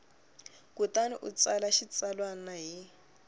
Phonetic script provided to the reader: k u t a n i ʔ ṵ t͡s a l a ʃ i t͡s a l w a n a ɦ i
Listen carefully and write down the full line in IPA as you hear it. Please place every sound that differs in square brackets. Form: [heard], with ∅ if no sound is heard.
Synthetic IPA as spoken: k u t a n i ʔ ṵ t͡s a l a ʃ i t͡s a l w a n a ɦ i